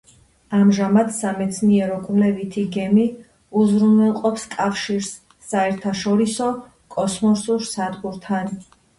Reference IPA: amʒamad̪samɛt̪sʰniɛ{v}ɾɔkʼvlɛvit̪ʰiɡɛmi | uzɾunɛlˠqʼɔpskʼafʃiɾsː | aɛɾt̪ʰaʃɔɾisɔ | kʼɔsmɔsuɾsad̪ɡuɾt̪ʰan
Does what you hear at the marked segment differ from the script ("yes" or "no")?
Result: yes